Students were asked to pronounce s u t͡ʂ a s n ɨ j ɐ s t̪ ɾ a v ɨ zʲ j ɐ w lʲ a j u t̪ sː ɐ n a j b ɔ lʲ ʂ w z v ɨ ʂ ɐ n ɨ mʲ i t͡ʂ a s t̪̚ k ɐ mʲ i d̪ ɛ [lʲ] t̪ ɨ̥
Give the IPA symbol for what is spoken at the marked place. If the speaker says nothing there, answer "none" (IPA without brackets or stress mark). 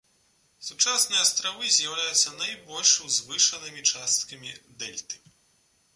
lʲ